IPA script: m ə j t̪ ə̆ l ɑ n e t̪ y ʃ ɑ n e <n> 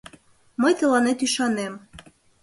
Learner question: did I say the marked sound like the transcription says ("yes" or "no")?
no